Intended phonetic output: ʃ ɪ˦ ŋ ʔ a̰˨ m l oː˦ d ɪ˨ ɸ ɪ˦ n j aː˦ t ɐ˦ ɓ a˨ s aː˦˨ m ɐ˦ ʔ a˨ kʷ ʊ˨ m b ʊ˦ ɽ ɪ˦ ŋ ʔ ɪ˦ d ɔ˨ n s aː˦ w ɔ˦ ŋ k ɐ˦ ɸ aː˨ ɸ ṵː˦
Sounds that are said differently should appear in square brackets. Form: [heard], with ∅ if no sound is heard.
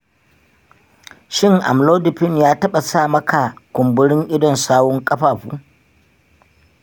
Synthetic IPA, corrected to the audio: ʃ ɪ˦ ŋ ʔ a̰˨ m l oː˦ d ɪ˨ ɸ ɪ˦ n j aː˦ t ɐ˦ ɓ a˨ s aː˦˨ m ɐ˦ [k] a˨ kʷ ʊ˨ m b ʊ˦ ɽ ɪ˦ ŋ ʔ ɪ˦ d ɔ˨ n s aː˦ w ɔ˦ ŋ [kʼ] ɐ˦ ɸ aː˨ ɸ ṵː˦